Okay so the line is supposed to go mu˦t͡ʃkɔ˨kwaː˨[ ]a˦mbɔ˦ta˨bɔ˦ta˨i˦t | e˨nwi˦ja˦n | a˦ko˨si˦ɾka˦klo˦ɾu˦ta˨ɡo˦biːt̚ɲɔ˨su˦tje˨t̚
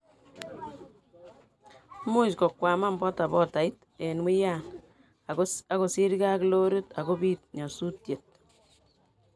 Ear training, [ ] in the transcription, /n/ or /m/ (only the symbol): m